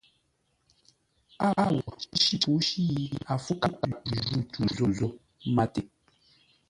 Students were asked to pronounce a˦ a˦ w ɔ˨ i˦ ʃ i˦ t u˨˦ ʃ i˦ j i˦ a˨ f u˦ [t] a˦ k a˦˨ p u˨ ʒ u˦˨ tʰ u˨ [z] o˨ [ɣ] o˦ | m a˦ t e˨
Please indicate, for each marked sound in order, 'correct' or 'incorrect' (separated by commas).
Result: incorrect, correct, incorrect